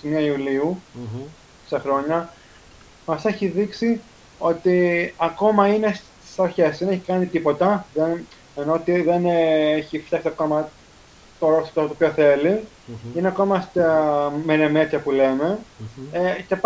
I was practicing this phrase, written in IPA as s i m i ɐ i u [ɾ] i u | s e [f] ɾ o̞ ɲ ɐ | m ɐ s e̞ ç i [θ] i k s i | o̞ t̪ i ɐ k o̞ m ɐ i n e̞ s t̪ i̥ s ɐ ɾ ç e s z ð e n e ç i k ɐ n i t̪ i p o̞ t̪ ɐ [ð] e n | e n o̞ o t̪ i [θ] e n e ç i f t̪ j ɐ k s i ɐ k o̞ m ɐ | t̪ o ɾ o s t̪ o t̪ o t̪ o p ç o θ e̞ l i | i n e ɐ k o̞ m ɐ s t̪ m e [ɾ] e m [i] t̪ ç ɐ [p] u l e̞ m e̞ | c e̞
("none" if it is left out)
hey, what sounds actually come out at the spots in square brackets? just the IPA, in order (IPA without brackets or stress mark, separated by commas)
l, x, ð, ð, ð, ɾ, e, p